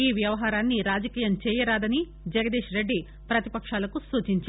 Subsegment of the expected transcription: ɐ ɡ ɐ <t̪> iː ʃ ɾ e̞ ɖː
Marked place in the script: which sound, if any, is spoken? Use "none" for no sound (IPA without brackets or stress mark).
d̪